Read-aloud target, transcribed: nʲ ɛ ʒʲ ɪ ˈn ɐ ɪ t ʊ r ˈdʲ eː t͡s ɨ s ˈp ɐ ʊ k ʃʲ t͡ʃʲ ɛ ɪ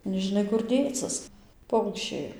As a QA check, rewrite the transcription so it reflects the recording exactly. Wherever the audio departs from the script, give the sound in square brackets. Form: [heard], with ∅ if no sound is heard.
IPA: nʲ ɛ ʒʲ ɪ ˈn ɐ ɪ [k] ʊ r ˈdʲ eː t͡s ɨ s ˈp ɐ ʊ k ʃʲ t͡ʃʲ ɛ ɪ